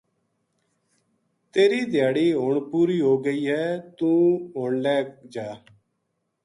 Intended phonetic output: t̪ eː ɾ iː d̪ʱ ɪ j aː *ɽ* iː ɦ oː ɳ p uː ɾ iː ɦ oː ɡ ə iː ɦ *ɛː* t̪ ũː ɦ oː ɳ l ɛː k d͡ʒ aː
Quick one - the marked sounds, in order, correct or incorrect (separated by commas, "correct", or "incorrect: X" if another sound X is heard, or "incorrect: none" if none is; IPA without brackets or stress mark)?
correct, correct